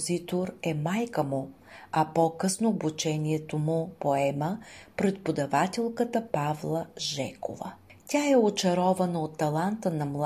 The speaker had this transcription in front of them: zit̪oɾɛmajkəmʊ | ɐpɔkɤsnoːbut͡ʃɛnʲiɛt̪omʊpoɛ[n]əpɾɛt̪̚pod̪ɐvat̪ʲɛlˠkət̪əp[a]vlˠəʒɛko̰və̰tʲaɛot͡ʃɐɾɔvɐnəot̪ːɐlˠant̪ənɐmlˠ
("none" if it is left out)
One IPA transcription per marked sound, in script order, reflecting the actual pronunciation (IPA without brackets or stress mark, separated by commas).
m, a